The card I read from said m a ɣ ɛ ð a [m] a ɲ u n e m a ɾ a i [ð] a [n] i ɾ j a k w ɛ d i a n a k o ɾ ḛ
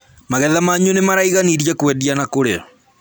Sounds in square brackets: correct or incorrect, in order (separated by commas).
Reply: correct, incorrect, correct